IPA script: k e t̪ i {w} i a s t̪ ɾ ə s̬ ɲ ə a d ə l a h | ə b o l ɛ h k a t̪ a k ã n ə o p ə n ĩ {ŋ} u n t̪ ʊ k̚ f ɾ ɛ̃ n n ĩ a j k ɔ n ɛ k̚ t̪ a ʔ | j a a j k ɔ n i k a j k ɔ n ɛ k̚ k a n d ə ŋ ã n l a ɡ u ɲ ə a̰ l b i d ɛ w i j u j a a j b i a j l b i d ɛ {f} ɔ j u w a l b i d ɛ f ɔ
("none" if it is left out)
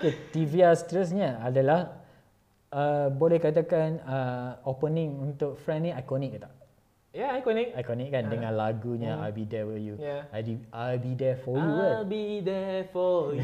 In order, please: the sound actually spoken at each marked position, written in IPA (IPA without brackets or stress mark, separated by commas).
v, ŋ, f